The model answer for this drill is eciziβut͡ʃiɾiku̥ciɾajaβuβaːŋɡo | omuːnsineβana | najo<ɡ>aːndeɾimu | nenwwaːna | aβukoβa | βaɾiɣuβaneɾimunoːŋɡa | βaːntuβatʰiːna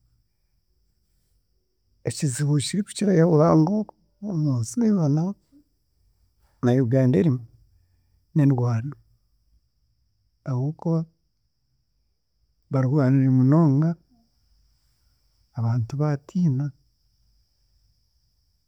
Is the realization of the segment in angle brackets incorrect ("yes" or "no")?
no